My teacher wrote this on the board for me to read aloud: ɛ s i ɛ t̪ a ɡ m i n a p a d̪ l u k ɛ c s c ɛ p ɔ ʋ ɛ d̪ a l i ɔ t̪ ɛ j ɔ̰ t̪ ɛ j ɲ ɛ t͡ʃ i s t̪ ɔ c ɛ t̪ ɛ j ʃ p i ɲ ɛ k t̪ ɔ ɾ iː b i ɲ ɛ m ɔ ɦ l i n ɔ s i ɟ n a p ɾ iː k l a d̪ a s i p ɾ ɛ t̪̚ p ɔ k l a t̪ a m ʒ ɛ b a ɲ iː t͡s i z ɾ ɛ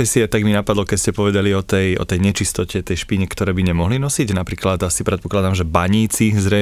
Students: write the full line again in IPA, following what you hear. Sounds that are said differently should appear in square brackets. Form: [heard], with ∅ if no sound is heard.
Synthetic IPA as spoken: ɛ s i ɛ t̪ a ɡ m i n a p a d̪ l [ɔ] k ɛ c s c ɛ p ɔ ʋ ɛ d̪ a l i ɔ t̪ ɛ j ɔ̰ t̪ ɛ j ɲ ɛ t͡ʃ i s t̪ ɔ c ɛ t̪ ɛ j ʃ p i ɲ ɛ k t̪ ɔ ɾ [ɛː] b i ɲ ɛ m ɔ ɦ l i n ɔ s i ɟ n a p ɾ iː k l a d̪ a s i p ɾ ɛ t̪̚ p ɔ k l a [d̪] a m ʒ ɛ b a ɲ iː t͡s i z ɾ ɛ